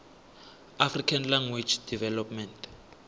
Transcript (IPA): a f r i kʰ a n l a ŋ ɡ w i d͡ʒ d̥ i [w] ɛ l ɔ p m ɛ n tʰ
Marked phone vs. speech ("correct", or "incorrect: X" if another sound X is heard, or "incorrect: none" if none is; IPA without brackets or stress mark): incorrect: v